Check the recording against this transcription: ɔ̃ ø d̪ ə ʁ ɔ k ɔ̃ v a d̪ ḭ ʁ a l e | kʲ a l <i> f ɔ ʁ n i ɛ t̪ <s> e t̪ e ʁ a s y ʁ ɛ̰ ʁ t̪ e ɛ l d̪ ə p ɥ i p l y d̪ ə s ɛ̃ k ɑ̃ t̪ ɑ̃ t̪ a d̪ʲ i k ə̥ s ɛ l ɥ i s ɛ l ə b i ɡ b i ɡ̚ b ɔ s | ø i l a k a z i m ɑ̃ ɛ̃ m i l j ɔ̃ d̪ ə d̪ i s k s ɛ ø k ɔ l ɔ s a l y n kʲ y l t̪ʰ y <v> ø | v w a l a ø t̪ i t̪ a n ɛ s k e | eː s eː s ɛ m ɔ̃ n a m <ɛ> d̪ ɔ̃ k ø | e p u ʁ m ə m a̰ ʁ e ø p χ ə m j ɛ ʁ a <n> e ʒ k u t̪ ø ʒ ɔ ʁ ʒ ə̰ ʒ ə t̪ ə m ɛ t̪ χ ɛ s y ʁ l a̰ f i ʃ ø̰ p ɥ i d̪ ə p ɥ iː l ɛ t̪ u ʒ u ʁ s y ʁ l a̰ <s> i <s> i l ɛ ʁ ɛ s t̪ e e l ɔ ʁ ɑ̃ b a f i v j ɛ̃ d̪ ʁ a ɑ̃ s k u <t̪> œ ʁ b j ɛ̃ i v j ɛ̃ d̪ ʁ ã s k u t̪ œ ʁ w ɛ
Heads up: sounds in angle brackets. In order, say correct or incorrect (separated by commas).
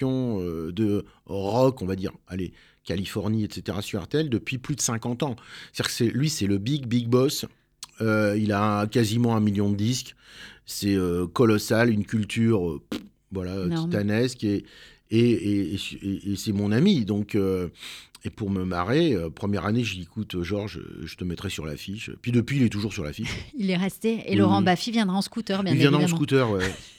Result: correct, correct, incorrect, incorrect, correct, incorrect, incorrect, correct